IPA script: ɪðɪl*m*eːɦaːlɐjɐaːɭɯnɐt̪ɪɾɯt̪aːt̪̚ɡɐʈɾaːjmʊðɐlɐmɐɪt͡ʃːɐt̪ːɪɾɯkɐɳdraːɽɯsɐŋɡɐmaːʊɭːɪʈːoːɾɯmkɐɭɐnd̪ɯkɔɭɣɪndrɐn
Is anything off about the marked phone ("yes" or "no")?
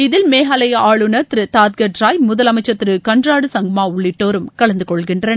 no